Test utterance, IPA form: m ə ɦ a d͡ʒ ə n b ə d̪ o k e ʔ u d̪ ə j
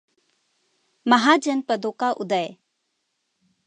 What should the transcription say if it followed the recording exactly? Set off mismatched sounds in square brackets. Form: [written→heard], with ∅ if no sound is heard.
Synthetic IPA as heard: m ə ɦ a d͡ʒ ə n [b→p] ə d̪ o k [e→a] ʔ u d̪ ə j